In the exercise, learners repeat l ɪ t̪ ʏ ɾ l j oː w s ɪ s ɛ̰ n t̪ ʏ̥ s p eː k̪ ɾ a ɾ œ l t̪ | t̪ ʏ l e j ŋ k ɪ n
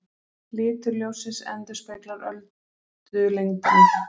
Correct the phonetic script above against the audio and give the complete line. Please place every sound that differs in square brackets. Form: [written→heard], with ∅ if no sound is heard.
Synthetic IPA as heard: l [ɪ→ɪː] t̪ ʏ ɾ l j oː w s ɪ s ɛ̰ n t̪ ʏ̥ s p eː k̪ [ɾ→l] a ɾ œ l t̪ | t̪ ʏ l e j ŋ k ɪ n